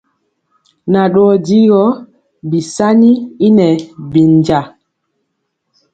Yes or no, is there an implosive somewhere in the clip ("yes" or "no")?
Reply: yes